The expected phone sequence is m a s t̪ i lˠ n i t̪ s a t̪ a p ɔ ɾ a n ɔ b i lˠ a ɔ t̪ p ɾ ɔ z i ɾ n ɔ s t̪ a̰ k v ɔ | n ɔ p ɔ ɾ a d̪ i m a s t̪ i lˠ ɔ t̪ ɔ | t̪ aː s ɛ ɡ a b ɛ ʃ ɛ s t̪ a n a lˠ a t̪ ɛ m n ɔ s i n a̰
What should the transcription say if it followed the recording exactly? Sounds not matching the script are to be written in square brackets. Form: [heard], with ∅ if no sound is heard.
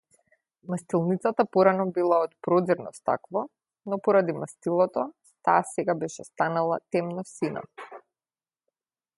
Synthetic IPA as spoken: m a s t̪ i lˠ n i t̪ s a t̪ a p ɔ ɾ a n ɔ b i lˠ a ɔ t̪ p ɾ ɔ z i ɾ n ɔ s t̪ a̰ k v ɔ | n ɔ p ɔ ɾ a d̪ i m a s t̪ i lˠ ɔ t̪ ɔ | t̪ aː s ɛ ɡ a b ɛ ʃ ɛ s t̪ a n a lˠ a t̪ ɛ m n ɔ s i n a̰